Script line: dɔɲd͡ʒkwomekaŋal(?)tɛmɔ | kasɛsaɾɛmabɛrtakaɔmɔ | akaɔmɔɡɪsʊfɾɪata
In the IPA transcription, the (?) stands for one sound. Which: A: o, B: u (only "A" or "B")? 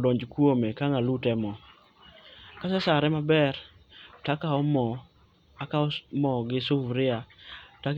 B